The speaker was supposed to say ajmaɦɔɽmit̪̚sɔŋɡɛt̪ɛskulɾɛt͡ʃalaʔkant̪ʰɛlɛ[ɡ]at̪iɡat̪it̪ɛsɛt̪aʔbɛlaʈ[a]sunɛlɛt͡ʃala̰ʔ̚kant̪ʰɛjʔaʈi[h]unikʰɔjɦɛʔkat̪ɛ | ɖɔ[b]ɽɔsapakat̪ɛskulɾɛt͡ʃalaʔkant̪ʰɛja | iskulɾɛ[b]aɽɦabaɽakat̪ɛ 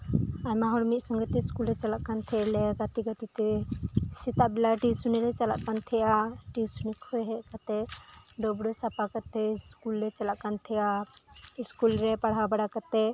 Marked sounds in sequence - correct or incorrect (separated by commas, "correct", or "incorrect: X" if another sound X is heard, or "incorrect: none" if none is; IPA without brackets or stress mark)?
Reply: correct, incorrect: i, incorrect: s, correct, incorrect: p